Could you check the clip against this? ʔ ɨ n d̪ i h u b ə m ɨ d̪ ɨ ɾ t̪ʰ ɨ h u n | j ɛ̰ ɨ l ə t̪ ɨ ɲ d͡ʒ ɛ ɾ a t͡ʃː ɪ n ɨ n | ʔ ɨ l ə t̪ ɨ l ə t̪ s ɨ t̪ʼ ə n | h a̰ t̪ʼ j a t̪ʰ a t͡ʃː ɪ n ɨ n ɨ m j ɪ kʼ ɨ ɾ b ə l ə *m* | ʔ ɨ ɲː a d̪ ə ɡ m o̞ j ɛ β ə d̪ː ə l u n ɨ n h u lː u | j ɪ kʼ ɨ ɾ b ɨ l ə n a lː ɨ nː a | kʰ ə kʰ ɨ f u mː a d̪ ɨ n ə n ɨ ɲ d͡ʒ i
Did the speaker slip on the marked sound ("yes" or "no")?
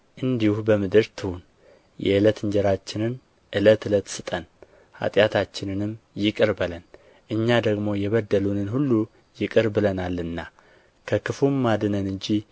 yes